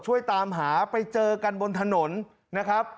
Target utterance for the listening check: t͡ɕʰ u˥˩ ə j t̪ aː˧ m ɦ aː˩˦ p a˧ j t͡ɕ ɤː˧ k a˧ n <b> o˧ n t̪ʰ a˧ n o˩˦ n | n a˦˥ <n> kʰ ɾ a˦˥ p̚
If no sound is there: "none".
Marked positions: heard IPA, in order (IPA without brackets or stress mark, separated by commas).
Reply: b, none